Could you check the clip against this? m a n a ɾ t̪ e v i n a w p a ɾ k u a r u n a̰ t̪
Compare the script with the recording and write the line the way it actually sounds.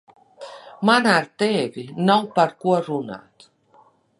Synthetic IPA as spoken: m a n a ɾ t̪ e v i n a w p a ɾ k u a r u n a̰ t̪